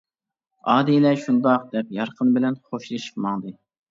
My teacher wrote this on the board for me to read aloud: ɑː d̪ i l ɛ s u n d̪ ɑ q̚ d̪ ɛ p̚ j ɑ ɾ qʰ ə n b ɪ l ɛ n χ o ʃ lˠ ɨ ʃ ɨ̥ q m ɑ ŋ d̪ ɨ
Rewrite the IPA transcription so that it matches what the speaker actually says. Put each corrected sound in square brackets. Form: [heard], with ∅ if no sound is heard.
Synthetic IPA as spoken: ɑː d̪ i l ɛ [ʃ] u n d̪ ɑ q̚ d̪ ɛ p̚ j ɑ ɾ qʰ ə n b ɪ l ɛ n χ o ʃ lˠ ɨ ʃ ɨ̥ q m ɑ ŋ d̪ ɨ